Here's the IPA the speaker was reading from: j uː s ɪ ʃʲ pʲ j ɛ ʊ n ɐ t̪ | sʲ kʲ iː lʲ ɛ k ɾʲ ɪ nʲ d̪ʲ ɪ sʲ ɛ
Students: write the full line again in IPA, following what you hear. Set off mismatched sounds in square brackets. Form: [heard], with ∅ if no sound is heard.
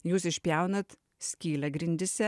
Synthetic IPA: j uː s ɪ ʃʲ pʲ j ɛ ʊ n ɐ t̪ | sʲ kʲ iː lʲ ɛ [ɡ] ɾʲ ɪ nʲ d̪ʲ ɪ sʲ ɛ